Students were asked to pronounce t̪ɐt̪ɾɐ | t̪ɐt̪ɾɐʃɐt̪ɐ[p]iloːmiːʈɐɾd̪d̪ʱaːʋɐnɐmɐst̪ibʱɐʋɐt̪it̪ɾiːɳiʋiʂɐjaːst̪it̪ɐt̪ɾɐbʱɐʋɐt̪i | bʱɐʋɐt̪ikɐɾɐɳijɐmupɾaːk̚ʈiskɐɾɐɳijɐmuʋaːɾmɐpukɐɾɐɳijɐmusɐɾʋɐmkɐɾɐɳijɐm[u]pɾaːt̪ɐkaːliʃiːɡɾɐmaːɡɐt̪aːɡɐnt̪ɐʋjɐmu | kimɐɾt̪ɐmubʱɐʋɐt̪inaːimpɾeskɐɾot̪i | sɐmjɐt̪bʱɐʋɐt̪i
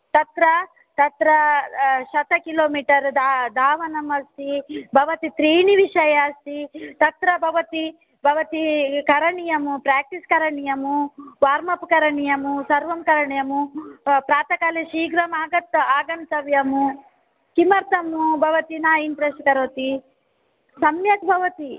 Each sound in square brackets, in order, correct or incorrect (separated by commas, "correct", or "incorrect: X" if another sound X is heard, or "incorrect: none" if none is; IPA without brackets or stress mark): incorrect: k, correct